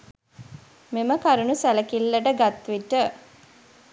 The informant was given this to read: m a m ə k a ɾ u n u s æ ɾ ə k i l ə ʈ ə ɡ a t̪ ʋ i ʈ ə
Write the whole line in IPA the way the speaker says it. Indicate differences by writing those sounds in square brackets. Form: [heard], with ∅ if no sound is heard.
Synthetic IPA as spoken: m [e] m ə k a ɾ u n u s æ [l] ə k i [lː] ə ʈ ə ɡ a t̪ ʋ i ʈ ə